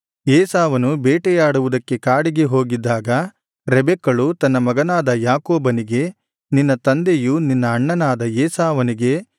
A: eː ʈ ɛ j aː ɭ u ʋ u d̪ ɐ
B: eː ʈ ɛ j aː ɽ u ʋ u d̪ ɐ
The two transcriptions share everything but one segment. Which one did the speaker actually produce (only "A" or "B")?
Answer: B